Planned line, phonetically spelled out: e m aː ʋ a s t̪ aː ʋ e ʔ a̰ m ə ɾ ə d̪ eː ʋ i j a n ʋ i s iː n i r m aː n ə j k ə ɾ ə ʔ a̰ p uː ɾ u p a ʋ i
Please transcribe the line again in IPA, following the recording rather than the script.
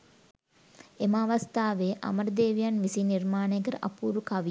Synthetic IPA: e m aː ʋ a s t̪ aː ʋ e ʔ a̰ m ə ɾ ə d̪ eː ʋ i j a n ʋ i s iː n i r m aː n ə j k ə ɾ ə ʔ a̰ p uː ɾ u k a ʋ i